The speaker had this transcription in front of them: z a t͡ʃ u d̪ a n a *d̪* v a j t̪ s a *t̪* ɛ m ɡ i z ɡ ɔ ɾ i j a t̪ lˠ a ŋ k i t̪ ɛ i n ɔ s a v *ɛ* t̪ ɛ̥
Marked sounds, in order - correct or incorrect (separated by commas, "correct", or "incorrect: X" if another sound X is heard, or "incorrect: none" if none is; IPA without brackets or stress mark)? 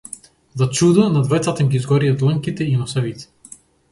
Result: correct, correct, incorrect: i